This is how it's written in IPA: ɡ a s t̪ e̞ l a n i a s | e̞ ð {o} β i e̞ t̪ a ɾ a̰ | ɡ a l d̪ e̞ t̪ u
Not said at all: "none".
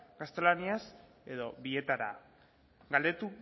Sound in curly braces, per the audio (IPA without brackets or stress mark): o